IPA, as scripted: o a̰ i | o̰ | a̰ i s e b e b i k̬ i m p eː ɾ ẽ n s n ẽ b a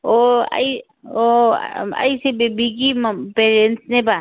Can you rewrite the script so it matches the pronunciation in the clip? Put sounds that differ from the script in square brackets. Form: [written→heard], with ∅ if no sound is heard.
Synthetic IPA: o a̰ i | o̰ | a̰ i s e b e b i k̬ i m p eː ɾ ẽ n s n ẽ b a